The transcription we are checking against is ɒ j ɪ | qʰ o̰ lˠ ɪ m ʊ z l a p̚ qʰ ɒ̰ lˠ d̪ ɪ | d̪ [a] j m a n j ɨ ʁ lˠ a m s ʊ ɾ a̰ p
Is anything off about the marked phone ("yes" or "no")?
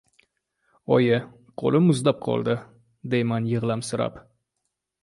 yes